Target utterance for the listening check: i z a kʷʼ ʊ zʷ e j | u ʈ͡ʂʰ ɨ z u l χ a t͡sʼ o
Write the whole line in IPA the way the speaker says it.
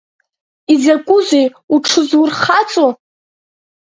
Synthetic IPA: i z a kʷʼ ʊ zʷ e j | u ʈ͡ʂʰ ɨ z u r χ a t͡sʼ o